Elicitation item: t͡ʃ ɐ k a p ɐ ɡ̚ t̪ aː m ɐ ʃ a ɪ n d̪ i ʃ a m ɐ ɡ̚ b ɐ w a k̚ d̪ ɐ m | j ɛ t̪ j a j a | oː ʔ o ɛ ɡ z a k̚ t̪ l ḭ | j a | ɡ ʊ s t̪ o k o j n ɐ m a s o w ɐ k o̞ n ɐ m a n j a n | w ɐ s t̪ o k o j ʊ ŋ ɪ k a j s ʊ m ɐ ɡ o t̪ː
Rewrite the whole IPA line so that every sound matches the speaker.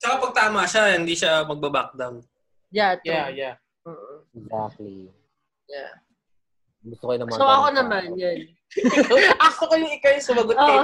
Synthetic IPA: t͡ʃ ɐ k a p ɐ ɡ̚ t̪ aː m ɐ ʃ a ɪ n d̪ i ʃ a m ɐ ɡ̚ b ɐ b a k̚ d̪ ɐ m | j a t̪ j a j a | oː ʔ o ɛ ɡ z a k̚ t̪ l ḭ | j a | ɡ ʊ s t̪ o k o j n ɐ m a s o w ɐ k o̞ n ɐ m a n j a n | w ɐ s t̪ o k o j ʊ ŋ ɪ k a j s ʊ m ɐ ɡ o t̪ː